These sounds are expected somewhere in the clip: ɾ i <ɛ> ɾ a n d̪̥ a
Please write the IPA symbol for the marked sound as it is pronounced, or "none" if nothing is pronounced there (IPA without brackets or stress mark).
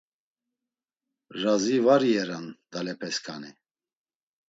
ɛ